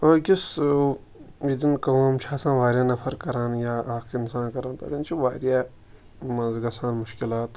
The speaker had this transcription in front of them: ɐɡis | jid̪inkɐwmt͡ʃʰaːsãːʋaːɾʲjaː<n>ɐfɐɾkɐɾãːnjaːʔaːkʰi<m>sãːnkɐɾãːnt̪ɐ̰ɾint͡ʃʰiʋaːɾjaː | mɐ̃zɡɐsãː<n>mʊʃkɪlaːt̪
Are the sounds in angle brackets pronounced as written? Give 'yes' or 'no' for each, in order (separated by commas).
yes, no, yes